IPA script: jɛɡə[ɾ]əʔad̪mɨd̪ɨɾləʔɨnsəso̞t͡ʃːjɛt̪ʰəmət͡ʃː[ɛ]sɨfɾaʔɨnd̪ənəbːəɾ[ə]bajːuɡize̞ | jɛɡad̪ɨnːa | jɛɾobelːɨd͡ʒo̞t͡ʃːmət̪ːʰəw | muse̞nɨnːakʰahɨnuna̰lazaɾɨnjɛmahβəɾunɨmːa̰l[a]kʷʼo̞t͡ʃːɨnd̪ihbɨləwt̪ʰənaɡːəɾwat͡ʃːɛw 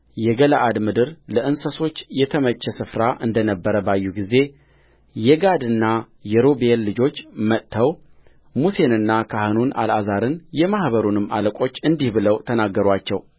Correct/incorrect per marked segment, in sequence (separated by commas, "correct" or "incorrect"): incorrect, correct, correct, incorrect